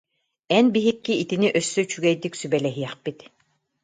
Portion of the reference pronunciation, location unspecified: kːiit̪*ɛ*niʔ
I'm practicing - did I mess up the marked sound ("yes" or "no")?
yes